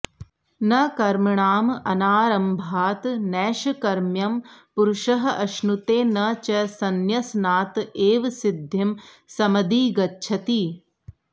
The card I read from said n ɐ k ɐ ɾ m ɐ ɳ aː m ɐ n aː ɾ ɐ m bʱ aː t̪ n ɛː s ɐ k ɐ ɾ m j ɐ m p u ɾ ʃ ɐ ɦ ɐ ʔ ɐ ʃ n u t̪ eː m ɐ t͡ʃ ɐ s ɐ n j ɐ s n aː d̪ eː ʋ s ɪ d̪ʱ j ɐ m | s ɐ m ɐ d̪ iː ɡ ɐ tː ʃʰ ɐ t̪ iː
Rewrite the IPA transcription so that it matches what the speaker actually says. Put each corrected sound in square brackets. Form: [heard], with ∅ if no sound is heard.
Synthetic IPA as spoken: n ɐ k ɐ ɾ m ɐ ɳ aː m ɐ n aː ɾ ɐ m bʱ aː t̪ n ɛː [ʃ] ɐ k ɐ ɾ m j ɐ m p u ɾ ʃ ɐ ɦ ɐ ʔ ɐ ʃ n u t̪ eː [n] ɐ t͡ʃ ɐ s ɐ n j ɐ s n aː [t̪] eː ʋ s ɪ d̪ʱ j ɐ m | s ɐ m ɐ d̪ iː ɡ ɐ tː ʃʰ ɐ t̪ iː